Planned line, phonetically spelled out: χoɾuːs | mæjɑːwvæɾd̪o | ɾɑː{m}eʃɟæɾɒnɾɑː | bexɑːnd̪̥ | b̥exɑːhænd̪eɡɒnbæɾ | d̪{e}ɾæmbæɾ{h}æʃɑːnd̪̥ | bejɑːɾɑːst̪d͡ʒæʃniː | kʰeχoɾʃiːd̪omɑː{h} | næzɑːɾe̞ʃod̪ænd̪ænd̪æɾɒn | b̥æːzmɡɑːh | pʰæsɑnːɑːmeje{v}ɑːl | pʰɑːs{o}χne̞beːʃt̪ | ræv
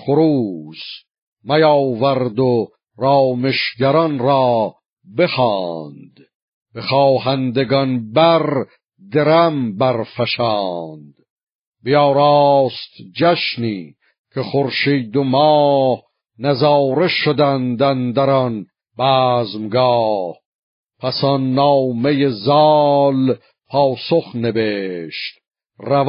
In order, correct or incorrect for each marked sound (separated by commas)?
correct, correct, incorrect, correct, incorrect, correct